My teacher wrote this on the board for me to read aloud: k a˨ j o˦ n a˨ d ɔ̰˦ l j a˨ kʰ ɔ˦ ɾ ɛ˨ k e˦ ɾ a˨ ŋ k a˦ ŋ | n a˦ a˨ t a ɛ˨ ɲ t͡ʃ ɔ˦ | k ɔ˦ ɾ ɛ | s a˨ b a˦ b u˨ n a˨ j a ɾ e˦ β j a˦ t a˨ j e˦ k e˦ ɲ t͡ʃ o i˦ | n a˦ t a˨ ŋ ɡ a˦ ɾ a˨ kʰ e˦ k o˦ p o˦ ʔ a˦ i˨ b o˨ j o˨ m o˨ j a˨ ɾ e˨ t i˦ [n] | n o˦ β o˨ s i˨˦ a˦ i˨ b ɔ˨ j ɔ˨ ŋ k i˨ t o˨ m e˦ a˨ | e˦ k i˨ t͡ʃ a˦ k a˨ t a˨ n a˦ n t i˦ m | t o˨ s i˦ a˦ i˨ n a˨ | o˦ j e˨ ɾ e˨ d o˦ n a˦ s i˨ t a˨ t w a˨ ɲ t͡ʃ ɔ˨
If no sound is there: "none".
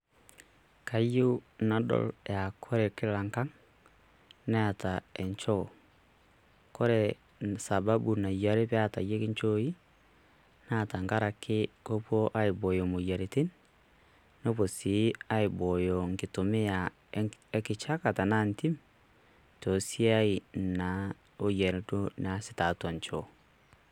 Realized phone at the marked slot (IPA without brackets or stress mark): n